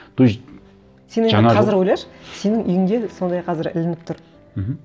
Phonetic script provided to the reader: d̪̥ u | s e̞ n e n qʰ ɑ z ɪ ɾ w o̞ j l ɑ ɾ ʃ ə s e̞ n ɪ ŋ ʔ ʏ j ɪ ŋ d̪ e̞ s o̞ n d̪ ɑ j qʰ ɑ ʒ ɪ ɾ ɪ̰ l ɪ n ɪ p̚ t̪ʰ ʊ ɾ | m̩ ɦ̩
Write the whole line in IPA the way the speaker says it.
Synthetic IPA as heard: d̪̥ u | s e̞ n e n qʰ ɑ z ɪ ɾ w o̞ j l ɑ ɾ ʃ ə s e̞ n ɪ ŋ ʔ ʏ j ɪ ŋ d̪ e̞ s o̞ n d̪ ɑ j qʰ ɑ z ɪ ɾ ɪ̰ l ɪ n ɪ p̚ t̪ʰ ʊ ɾ | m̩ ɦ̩